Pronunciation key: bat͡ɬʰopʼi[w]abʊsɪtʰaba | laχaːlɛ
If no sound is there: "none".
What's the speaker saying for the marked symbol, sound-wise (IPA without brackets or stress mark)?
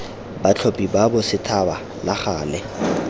b